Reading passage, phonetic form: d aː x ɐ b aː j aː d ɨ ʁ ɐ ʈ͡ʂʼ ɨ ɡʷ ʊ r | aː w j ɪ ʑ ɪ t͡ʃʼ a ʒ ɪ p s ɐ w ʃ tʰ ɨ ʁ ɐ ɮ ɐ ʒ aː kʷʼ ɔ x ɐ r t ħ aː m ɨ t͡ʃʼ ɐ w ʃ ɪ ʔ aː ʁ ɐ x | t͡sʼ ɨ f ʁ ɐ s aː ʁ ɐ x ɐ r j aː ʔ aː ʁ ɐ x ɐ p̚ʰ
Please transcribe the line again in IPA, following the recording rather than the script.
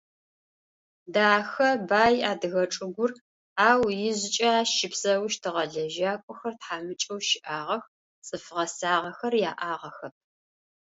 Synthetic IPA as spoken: d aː x ɐ b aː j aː d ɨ ɣ ɐ ʈ͡ʂʼ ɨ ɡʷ ʊ r | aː w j ɪ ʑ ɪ t͡ʃʼ a ʃ ɪ p s ɐ w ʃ tʰ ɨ ʁ ɐ ɮ ɐ ʒ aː kʷʼ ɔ x ɐ r t ħ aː m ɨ t͡ʃʼ ɐ w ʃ ɪ ʔ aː ʁ ɐ x | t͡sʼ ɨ f ʁ ɐ s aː ʁ ɐ x ɐ r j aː ʔ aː ʁ ɐ x ɐ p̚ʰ

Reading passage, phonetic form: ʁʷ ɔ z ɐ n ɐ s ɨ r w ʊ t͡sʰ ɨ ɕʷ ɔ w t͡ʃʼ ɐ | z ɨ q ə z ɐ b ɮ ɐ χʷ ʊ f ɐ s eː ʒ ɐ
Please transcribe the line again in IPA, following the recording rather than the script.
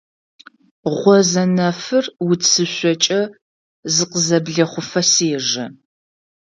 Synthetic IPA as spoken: ʁʷ ɔ z ɐ n ɐ f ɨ r w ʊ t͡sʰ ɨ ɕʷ ɔ t͡ʃʼ ɐ | z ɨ q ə z ɐ b ɮ ɐ χʷ ʊ f ɐ s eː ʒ ɐ

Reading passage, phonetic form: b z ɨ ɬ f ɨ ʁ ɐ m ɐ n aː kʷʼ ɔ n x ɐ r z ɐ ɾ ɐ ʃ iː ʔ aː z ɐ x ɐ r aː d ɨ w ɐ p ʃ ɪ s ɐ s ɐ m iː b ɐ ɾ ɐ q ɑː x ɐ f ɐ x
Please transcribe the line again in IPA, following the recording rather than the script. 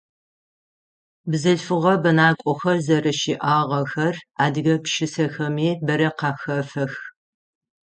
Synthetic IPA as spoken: b z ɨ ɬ f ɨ ʁ ɐ b ɐ n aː kʷʼ ɔ x ɐ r z ɐ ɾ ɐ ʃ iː ʔ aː ʁ ɐ x ɐ r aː d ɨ ɣ ɐ p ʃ ɪ s ɐ x ɐ m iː b ɐ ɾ ɐ q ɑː x ɐ f ɐ x

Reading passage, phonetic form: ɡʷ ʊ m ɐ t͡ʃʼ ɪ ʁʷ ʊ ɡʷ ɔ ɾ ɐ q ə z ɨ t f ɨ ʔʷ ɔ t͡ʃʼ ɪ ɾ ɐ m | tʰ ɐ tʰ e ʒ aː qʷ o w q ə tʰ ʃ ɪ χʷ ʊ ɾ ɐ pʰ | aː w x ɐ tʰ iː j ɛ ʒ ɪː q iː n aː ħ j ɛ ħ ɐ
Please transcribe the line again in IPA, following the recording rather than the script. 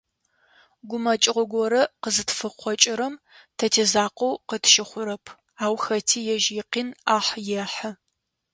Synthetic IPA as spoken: ɡʷ ʊ m ɐ t͡ʃʼ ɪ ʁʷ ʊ ɡʷ ɔ ɾ ɐ q ə z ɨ t f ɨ qʷ ɔ t͡ʃʼ ɪ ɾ ɐ m | tʰ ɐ tʰ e z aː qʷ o w q ə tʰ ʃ ɪ χʷ ʊ ɾ ɐ pʰ | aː w x ɐ tʰ iː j ɛ ʒ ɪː q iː n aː ħ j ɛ ħ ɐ

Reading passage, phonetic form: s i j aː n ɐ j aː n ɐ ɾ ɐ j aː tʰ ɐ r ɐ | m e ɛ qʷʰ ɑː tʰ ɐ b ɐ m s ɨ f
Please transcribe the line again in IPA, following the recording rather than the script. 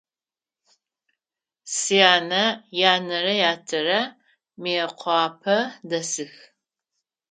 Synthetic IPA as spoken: s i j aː n ɐ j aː n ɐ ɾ ɐ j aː tʰ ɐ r ɐ | m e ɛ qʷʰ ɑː pʰ ɐ d ɐ s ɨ x

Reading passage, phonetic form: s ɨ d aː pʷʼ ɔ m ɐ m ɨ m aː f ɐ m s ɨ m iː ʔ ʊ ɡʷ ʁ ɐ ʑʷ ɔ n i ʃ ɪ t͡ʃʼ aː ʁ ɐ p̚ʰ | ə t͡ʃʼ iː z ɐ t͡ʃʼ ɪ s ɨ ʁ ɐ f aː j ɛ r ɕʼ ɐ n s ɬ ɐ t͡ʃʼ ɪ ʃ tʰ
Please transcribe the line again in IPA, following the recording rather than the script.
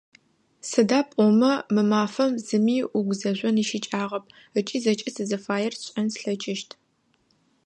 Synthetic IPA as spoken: s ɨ d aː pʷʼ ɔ m ɐ m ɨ m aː f ɐ m z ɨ m iː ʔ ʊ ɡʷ z ɐ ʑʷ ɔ n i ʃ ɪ t͡ʃʼ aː ʁ ɐ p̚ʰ | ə t͡ʃʼ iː z ɐ t͡ʃʼ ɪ s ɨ z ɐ f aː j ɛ r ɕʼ ɐ n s ɬ ɐ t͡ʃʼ ɪ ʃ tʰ

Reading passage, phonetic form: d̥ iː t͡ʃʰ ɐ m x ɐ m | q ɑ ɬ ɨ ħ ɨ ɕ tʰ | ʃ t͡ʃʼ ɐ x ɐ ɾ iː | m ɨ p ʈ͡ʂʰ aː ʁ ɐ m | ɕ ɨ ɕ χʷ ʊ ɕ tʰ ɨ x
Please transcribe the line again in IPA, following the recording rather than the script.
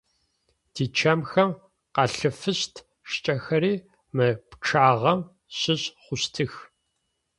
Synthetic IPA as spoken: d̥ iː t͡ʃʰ ɐ m x ɐ m | q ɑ ɬ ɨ f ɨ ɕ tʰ | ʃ t͡ʃʼ ɐ x ɐ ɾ iː | m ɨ p ʈ͡ʂʰ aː ʁ ɐ m | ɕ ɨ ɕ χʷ ʊ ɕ tʰ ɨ x

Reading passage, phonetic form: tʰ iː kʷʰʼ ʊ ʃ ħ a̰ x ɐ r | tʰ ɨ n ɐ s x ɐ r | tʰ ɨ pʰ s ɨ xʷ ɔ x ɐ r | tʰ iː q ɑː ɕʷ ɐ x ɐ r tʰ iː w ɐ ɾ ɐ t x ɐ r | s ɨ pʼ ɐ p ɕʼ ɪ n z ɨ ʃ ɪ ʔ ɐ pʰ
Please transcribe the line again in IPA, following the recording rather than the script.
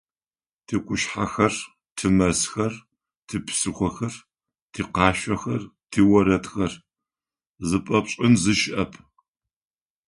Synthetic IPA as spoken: tʰ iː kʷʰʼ ʊ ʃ ħ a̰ x ɐ r | tʰ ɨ m ɐ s x ɐ r | tʰ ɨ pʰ s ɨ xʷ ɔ x ɐ r | tʰ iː q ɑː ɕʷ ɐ x ɐ r tʰ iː w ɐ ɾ ɐ t x ɐ r | z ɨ pʼ ɐ p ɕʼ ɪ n z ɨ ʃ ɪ ʔ ɐ pʰ

